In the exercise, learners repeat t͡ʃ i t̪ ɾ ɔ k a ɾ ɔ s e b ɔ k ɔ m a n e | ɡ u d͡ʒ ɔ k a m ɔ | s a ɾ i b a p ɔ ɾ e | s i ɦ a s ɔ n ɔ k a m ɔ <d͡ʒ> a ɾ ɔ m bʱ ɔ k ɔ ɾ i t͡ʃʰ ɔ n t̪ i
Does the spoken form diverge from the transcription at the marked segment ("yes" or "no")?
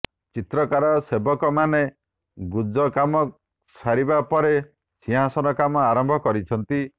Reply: yes